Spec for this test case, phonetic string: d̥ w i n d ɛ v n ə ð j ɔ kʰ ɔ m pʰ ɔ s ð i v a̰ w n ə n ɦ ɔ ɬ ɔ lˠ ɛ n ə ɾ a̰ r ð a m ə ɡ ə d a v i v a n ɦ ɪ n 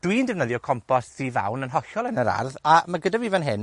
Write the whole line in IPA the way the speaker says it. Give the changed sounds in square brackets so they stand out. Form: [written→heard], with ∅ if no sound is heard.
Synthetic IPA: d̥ w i n d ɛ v n ə ð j ɔ kʰ ɔ m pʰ ɔ s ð i v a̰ w n ə n ɦ ɔ ɬ ɔ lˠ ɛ n ə ɾ a̰ r ð a m [ə→a] ɡ ə d a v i v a n ɦ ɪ n